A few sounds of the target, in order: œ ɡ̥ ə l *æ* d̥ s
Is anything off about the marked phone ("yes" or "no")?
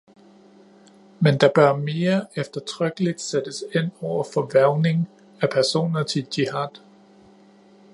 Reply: yes